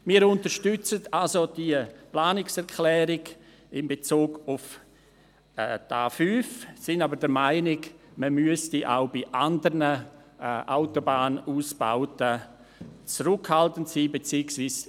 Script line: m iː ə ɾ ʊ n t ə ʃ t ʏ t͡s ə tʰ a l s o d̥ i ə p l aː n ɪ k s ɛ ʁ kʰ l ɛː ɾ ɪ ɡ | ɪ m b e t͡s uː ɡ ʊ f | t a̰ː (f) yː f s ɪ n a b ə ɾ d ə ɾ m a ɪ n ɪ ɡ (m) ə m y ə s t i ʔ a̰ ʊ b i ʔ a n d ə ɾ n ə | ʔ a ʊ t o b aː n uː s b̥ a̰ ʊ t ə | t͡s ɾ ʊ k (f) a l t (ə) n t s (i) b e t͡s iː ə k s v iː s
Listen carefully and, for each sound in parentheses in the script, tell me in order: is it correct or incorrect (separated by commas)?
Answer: correct, correct, incorrect, correct, incorrect